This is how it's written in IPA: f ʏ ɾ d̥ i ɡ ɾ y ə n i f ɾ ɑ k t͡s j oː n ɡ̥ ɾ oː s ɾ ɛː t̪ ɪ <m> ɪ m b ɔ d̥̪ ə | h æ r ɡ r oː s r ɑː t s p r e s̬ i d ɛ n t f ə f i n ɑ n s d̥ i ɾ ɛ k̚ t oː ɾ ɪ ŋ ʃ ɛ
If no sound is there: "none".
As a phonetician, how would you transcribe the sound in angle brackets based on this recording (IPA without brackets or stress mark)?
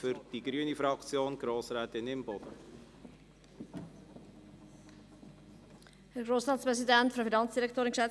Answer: n